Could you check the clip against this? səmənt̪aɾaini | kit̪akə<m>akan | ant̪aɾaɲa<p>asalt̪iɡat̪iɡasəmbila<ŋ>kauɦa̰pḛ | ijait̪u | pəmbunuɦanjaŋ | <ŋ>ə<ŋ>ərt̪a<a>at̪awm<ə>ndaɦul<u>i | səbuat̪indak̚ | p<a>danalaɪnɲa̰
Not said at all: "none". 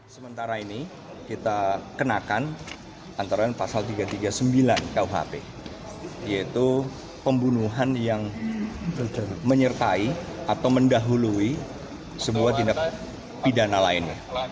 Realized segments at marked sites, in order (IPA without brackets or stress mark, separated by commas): n, p, n, m, ɲ, i, ə, u, i